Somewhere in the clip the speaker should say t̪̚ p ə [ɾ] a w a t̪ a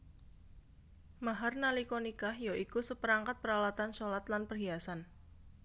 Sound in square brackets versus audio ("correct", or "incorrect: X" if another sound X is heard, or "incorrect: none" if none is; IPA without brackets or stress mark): correct